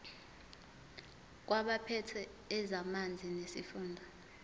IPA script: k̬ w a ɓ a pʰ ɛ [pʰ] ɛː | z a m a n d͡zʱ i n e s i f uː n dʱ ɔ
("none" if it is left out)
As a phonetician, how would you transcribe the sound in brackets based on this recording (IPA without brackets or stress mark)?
tʰ